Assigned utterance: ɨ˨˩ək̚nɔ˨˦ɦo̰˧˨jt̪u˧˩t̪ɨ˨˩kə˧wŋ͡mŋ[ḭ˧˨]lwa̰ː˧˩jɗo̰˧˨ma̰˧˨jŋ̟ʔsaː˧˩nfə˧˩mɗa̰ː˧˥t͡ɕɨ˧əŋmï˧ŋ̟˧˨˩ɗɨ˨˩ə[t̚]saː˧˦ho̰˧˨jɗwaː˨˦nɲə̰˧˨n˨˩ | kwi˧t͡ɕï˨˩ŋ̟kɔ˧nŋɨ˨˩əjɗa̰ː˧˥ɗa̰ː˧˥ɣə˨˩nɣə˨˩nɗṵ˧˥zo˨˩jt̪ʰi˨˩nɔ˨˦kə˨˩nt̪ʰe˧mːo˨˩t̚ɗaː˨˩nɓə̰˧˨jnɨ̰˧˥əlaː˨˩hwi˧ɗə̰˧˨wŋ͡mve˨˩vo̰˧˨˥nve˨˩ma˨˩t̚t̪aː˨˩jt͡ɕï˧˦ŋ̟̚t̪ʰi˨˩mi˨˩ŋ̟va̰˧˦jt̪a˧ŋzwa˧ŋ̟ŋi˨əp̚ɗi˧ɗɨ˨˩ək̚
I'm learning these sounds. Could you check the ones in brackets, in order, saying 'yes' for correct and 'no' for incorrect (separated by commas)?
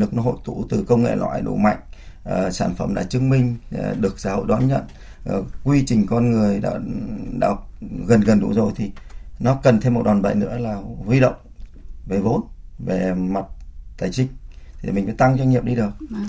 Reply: no, no